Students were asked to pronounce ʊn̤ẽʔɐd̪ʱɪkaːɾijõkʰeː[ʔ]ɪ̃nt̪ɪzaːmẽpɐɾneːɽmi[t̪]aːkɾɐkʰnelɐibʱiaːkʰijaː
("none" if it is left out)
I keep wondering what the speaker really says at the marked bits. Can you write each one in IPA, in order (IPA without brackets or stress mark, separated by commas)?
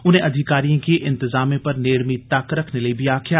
ʔ, t̪